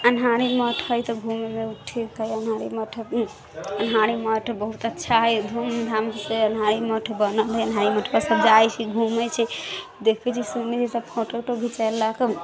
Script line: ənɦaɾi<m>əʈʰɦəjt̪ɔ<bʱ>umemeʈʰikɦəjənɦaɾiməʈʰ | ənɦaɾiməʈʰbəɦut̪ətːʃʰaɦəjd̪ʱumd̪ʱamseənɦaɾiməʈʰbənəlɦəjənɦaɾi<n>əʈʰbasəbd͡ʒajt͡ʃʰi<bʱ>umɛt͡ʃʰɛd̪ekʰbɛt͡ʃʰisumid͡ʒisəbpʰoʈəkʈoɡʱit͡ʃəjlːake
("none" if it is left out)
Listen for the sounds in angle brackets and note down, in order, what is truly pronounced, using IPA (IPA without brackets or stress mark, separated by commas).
m, ɡʱ, m, ɡʱ